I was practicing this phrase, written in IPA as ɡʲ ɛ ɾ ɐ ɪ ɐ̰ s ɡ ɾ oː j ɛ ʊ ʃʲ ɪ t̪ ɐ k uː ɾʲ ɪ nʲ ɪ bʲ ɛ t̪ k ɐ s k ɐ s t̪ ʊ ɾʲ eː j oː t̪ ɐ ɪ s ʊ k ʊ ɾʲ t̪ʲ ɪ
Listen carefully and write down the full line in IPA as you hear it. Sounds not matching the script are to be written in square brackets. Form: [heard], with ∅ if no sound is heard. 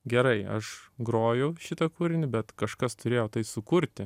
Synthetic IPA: ɡʲ ɛ ɾ ɐ ɪ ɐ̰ [ʃ] ɡ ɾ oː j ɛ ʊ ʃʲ ɪ t̪ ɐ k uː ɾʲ ɪ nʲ ɪ bʲ ɛ t̪ k ɐ [ʃ] k ɐ s t̪ ʊ ɾʲ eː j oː t̪ ɐ ɪ s ʊ k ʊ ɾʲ t̪ʲ ɪ